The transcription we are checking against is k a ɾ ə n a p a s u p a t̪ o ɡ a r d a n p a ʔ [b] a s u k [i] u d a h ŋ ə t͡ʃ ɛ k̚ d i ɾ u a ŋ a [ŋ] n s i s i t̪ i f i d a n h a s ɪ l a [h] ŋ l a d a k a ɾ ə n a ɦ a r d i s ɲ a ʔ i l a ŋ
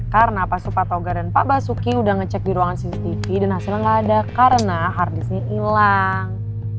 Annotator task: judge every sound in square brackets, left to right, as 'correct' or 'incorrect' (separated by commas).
correct, correct, incorrect, incorrect